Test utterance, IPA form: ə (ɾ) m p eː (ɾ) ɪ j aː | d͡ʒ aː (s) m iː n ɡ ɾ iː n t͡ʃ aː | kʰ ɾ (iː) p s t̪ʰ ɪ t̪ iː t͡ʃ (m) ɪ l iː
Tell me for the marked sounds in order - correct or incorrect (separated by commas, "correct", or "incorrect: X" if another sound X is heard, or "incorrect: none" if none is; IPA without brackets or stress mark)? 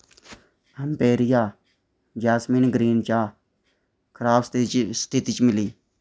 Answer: incorrect: none, correct, correct, incorrect: aː, correct